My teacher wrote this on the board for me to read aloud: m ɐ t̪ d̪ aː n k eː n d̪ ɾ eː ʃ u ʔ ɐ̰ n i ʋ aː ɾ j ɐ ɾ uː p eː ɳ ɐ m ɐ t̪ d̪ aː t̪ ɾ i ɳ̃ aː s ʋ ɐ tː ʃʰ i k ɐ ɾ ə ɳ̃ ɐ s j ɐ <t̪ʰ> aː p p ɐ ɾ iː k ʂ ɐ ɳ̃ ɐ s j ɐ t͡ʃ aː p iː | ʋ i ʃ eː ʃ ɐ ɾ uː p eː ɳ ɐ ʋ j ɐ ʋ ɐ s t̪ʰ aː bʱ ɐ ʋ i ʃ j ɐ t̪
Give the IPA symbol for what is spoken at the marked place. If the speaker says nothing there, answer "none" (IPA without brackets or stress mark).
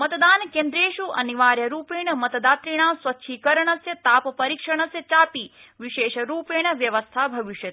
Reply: t̪